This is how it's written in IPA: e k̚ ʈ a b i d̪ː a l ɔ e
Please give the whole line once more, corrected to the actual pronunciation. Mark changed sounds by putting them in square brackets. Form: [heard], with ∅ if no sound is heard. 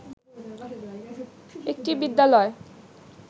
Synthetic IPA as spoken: e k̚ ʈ [i] b i d̪ː a l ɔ e